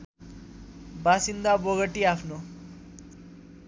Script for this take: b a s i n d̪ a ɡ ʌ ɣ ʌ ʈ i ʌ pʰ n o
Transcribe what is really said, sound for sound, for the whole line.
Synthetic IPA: b a s i n d̪ a b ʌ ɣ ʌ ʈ i a pʰ n o